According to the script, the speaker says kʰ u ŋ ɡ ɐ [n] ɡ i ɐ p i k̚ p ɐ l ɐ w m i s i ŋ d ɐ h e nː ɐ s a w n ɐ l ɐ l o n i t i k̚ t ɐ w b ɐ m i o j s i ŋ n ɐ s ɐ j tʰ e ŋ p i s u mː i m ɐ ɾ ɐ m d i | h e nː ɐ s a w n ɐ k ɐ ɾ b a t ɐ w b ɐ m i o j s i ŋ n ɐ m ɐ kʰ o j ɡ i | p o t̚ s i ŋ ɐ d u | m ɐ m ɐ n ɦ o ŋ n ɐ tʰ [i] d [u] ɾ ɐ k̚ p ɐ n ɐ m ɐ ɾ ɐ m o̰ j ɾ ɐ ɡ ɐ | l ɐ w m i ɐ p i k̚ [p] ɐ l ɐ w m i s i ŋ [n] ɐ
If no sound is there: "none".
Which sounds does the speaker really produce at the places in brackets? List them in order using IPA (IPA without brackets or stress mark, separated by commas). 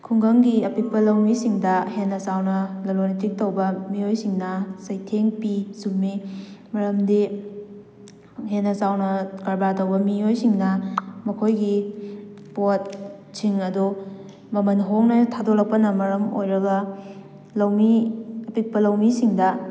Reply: ŋ, a, o, p, d